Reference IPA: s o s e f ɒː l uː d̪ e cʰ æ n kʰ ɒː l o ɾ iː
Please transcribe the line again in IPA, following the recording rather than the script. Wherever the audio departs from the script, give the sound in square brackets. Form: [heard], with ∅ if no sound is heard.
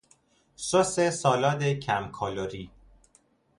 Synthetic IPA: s o s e [s] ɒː l [ɒː] d̪ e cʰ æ [m] kʰ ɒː l o ɾ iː